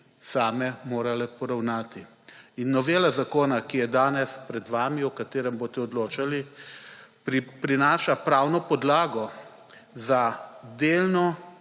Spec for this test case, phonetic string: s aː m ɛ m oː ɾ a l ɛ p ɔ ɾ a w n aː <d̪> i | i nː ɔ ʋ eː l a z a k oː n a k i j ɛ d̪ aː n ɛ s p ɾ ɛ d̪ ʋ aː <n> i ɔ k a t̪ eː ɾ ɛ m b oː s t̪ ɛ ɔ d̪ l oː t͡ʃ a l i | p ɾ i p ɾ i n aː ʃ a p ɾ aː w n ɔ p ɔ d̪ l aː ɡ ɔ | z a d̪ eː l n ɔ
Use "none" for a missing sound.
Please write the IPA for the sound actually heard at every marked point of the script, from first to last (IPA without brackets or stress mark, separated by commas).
t̪, m